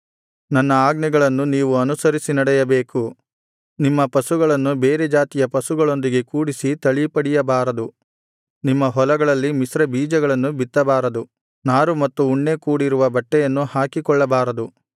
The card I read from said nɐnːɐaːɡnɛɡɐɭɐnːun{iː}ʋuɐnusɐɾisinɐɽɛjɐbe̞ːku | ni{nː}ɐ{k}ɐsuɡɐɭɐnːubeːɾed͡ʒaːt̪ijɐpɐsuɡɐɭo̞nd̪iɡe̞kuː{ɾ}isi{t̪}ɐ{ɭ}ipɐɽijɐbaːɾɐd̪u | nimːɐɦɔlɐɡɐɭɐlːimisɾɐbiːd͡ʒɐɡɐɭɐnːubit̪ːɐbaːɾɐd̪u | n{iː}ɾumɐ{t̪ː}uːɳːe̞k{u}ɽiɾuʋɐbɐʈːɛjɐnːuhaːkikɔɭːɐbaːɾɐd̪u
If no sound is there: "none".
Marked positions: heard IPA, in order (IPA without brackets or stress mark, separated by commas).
iː, mː, p, ɽ, t̪, ɭ, aː, t̪ː, uː